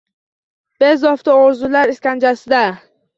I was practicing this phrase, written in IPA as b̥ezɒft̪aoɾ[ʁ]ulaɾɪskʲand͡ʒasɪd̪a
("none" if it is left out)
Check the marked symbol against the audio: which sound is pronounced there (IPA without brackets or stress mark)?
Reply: z